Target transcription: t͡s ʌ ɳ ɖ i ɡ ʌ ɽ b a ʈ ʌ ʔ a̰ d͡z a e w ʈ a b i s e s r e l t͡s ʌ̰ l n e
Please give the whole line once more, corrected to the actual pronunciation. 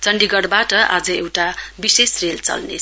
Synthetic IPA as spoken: t͡s ʌ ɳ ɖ i ɡ ʌ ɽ b a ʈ ʌ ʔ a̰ d͡z ʌ e w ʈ a b i s e s r e l t͡s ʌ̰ l n e